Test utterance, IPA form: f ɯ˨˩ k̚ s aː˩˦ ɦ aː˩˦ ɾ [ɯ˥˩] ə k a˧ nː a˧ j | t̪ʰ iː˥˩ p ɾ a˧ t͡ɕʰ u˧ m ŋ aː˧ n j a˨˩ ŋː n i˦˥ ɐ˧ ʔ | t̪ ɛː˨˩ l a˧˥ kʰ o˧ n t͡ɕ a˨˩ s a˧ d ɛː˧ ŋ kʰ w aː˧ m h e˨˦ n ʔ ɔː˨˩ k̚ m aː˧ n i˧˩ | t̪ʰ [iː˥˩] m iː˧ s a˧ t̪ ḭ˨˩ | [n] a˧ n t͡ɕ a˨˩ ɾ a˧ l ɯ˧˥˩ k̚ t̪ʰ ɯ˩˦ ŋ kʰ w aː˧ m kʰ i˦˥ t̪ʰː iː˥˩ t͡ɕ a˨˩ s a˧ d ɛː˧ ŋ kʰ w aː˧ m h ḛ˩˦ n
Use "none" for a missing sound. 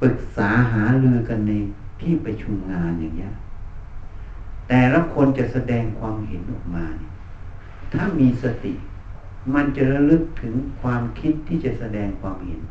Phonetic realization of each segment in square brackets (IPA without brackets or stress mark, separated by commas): ɯ˧, aː˥˩, m